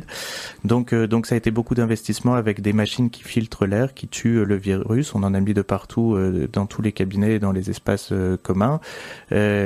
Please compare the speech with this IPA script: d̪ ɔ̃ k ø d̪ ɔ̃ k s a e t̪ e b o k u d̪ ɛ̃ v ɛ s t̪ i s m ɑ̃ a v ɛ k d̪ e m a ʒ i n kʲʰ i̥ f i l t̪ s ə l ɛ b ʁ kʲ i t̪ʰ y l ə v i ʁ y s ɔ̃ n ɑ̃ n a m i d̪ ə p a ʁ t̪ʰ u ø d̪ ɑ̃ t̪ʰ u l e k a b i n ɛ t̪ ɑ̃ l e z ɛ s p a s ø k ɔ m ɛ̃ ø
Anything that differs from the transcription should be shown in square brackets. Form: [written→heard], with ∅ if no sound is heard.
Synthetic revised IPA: d̪ ɔ̃ k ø d̪ ɔ̃ k s a e t̪ e b o k u d̪ ɛ̃ v ɛ s t̪ i s m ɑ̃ a v ɛ k d̪ e m a [ʒ→ʃ] i n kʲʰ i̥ f i l t̪ [s→χ] ə l ɛ [b→∅] ʁ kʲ i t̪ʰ y l ə v i ʁ y s ɔ̃ n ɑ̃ n a m i d̪ ə p a ʁ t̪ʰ u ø d̪ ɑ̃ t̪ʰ u l e k a b i n ɛ [t̪→d̪] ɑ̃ l e z ɛ s p a s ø k ɔ m ɛ̃ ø